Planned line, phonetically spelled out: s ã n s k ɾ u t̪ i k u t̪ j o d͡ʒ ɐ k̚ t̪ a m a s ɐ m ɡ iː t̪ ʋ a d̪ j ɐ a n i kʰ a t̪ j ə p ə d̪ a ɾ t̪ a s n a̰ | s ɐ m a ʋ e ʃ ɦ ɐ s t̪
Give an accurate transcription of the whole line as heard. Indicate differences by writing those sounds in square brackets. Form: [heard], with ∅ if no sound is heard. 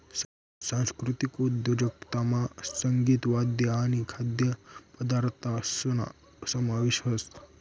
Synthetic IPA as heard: s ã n s k ɾ u t̪ i k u [d̪] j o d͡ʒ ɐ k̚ t̪ a m a s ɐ [ŋ] ɡ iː t̪ ʋ a d̪ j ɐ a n i kʰ a [d̪] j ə p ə d̪ a ɾ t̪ a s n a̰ | s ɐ m a ʋ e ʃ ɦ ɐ s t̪